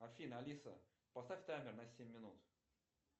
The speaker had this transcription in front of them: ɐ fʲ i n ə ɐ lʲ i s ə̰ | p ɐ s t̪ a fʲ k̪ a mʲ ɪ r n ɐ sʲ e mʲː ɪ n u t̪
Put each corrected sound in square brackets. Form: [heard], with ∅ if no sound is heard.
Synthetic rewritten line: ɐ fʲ i n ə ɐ lʲ i s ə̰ | p ɐ s t̪ a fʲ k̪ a mʲ ɪ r n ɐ sʲ e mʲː ɪ n u t̪